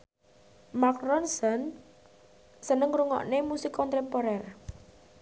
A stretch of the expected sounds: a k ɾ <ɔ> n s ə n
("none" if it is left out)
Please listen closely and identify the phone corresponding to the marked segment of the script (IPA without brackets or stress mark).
ɔ